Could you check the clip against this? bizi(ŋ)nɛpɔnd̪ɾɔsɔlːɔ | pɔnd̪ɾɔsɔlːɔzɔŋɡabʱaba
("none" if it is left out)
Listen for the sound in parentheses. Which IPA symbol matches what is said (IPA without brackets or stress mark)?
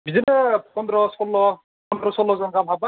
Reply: none